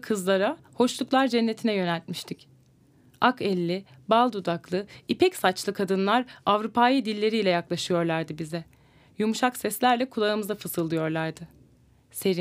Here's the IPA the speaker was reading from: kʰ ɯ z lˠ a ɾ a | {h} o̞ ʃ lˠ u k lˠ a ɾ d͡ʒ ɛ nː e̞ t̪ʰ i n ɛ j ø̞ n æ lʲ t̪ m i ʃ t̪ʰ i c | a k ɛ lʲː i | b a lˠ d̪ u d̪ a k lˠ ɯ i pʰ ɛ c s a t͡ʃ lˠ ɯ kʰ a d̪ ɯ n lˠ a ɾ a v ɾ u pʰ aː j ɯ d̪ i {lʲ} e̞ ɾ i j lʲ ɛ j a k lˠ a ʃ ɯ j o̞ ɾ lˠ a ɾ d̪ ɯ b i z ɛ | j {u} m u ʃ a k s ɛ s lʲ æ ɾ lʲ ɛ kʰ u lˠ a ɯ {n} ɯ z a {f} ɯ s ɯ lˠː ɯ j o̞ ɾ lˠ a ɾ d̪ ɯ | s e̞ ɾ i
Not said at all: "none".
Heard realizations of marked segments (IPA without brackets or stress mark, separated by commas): h, lʲː, u, m, f